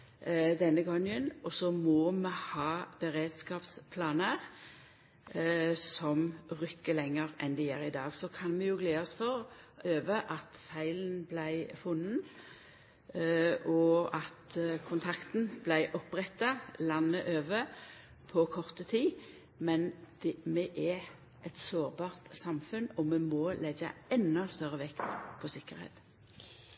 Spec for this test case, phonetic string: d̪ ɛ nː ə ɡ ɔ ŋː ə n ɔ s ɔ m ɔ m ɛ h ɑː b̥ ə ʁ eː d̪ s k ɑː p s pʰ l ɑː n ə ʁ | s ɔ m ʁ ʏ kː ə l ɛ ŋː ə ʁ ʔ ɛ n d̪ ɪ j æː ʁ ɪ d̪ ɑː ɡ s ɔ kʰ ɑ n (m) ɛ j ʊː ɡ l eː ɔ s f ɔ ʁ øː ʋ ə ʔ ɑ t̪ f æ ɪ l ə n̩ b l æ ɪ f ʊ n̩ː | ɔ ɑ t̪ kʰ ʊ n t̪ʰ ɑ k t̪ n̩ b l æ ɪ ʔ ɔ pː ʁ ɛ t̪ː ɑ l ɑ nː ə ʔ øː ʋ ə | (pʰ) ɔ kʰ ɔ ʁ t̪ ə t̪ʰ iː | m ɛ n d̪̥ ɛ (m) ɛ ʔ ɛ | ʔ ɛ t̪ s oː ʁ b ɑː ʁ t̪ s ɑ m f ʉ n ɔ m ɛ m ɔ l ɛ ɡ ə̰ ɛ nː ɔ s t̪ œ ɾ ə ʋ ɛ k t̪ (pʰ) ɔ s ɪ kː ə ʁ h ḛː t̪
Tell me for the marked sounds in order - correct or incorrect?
correct, correct, correct, correct

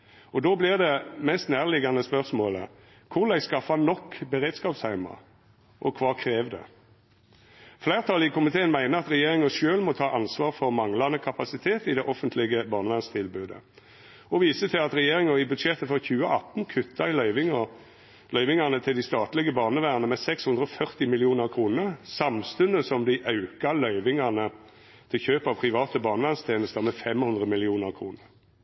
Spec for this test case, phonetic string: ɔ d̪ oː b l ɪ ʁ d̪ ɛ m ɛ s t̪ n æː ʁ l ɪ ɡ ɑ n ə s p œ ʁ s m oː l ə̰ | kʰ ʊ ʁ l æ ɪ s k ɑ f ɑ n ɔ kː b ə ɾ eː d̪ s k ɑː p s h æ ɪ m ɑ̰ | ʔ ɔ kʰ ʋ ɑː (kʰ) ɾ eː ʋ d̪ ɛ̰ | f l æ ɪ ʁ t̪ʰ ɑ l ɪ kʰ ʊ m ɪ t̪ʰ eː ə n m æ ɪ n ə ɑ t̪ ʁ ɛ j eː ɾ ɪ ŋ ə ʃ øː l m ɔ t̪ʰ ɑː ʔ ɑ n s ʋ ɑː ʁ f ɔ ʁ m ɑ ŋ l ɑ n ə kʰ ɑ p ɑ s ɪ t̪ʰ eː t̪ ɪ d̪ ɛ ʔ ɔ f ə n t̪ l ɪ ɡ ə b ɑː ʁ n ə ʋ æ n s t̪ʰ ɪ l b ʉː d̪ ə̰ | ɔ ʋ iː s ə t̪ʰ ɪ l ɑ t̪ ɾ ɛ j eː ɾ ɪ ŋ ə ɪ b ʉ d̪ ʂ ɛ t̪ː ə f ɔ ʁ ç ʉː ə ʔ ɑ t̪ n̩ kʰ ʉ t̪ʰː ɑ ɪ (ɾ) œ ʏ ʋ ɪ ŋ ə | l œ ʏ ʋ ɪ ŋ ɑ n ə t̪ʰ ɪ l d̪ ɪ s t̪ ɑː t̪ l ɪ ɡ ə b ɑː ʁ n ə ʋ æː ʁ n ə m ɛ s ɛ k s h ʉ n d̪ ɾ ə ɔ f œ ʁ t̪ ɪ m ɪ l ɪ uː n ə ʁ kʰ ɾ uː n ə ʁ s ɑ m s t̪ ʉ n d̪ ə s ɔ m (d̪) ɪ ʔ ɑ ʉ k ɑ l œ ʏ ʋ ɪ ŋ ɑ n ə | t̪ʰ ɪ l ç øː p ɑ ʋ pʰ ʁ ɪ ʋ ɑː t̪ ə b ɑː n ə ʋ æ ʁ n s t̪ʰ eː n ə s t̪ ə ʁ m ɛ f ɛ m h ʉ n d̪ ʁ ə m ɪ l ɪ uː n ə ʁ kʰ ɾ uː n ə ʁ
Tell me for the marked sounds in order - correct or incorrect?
correct, incorrect: l, correct

